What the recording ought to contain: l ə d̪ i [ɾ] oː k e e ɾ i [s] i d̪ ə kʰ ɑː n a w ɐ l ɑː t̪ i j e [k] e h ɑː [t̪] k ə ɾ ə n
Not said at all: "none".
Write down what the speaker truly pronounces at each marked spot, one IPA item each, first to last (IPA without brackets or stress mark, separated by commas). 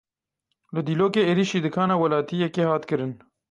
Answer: l, ʃ, k, t̪